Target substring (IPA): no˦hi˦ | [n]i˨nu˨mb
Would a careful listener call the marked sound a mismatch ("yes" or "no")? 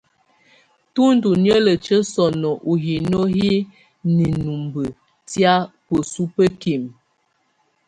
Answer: no